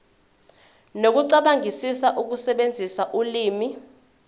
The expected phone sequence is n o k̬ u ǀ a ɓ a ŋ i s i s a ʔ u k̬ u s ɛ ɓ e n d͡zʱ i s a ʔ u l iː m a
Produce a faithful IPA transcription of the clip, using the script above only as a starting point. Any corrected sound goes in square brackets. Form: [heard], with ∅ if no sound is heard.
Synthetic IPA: n o k̬ u ǀ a ɓ a ŋ i s i s a ʔ u k̬ u s ɛ ɓ e n d͡zʱ i s a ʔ u l iː m [i]